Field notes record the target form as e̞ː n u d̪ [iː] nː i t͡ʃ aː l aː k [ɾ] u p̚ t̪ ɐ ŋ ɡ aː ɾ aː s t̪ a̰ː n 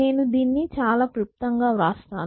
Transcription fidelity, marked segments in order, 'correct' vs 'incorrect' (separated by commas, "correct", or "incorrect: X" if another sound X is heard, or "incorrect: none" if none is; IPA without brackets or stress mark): correct, correct